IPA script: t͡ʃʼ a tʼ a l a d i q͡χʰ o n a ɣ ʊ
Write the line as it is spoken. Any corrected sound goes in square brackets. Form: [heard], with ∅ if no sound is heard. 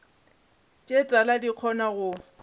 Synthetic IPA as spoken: t͡ʃʼ [e] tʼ a l a d i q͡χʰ [ɔ] n a ɣ ʊ